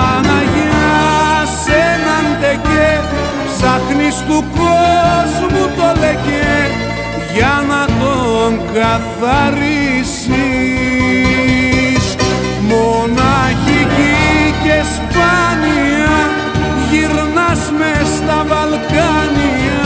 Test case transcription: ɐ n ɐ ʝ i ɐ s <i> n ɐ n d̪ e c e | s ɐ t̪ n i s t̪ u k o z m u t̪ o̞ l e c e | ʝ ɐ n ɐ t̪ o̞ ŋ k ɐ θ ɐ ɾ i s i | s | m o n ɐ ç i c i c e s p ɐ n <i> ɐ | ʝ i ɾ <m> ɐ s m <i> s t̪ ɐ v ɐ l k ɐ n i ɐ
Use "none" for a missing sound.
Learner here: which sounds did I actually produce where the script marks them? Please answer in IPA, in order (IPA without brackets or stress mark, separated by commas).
e, i, n, e